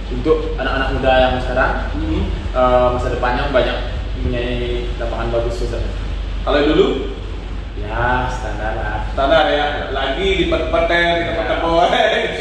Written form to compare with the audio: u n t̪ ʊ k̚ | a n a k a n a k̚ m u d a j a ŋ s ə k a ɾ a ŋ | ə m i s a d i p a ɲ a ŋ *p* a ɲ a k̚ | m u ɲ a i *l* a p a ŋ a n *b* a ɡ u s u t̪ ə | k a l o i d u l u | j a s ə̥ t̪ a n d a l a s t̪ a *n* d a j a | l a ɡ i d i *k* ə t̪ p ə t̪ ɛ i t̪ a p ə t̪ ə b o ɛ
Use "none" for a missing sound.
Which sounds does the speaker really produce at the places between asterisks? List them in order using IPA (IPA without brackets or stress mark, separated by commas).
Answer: b, l, b, n, p